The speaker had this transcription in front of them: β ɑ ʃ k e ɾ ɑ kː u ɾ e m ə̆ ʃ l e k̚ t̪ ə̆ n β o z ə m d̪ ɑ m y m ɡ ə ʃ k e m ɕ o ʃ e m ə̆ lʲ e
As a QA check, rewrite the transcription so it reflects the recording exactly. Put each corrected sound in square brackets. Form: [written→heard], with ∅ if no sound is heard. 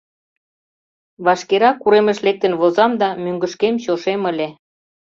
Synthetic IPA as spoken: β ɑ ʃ k e ɾ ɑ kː u ɾ e m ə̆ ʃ l e k̚ t̪ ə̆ n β o z [ə→ɑ] m d̪ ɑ m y [m→ŋ] ɡ ə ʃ k e m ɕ o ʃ e m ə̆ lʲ e